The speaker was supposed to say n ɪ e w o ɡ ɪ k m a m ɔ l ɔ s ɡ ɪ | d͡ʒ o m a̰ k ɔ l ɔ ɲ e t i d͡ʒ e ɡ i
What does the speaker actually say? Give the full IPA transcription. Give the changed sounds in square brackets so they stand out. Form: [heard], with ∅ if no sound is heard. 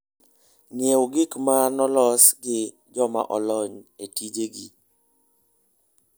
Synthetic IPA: n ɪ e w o ɡ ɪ k m a [n] ɔ l ɔ s ɡ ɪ | d͡ʒ [ɔ] m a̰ [ʔ] ɔ l ɔ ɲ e t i d͡ʒ e ɡ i